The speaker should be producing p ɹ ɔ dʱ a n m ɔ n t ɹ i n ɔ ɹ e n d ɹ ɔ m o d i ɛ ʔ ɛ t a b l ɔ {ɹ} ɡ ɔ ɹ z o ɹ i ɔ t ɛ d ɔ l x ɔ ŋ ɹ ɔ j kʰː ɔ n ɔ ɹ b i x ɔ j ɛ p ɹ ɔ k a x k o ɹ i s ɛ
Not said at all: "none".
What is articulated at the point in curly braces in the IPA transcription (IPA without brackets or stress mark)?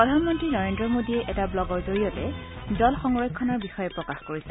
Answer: none